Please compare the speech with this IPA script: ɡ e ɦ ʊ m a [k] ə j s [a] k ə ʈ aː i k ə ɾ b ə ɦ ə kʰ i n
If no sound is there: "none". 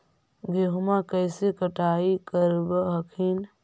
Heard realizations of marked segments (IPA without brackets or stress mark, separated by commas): k, e